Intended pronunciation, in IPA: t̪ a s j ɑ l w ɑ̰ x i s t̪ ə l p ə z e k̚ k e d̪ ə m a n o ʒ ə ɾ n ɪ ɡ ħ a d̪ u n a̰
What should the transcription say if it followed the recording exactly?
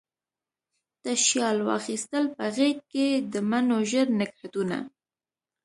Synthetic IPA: t̪ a ʃ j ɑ l w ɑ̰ x i s t̪ ə l p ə ɣ e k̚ k e d̪ ə m a n o ʒ ə ɾ n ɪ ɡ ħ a t̪ u n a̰